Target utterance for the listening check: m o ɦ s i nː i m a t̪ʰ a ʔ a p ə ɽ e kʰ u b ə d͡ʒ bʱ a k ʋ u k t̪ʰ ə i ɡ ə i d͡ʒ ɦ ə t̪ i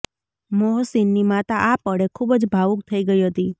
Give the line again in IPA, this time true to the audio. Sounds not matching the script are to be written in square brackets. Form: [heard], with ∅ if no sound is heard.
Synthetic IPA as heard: m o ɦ s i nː i m a [t̪] a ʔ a p ə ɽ e kʰ u b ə d͡ʒ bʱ a [∅] ʋ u k t̪ʰ ə i ɡ ə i [∅] ɦ ə t̪ i